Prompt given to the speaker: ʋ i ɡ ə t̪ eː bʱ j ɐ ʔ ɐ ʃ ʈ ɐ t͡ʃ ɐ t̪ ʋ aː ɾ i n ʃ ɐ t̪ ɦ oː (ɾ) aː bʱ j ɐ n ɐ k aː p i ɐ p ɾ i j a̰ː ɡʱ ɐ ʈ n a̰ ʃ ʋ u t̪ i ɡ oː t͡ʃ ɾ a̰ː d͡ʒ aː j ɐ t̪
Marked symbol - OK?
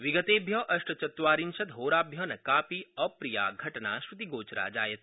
yes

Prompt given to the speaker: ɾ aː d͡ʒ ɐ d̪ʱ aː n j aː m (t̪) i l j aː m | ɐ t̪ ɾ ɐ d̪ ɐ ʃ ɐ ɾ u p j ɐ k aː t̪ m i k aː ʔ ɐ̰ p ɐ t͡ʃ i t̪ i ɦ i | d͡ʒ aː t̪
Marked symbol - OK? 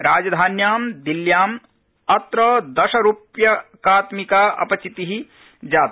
no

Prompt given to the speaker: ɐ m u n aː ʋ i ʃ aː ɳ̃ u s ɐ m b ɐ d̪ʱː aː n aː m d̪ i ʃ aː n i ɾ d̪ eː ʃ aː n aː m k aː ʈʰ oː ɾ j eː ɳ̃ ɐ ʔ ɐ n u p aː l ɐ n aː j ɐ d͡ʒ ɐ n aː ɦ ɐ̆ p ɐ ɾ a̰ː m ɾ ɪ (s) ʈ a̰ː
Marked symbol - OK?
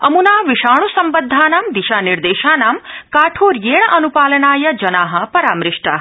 no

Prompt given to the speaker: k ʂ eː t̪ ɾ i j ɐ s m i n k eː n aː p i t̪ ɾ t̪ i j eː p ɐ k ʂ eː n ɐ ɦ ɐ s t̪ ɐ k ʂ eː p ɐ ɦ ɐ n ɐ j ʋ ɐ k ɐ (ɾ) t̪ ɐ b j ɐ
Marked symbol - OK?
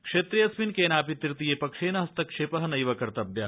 yes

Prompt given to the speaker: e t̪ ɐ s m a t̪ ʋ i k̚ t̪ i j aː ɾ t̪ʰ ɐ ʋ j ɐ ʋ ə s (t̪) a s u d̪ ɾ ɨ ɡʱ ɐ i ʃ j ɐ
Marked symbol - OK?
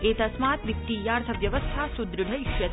no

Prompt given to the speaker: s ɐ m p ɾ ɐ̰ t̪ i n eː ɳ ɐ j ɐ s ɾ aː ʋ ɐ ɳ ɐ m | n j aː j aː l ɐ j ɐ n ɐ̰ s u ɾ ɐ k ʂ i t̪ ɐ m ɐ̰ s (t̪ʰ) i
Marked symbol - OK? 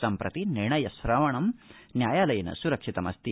no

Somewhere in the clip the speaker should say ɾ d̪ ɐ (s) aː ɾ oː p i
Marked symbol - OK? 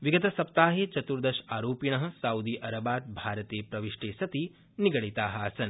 no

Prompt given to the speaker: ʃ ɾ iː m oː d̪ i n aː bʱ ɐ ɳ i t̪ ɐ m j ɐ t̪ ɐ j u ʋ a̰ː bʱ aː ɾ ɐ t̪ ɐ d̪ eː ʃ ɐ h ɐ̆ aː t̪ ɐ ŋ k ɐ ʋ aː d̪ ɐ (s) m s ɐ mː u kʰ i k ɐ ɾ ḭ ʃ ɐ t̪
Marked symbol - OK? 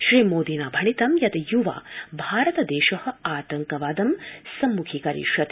no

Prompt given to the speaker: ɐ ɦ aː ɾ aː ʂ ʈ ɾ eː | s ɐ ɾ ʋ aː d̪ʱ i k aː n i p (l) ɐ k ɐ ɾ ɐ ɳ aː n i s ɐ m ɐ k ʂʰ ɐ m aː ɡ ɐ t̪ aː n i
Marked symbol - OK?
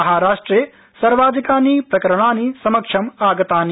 no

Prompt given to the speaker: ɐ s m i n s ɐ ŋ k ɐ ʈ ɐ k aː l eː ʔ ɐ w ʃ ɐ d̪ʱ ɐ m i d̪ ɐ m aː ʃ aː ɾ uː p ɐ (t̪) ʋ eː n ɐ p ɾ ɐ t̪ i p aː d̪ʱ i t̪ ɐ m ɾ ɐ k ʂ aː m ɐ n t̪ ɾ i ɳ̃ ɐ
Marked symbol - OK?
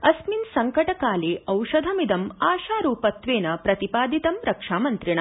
yes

